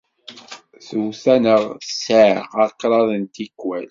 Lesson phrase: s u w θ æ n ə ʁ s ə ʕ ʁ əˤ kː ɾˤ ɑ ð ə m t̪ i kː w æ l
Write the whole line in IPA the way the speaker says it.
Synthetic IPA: θ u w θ æ n ə ʁ s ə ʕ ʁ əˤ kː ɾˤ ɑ ð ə n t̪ i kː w æ l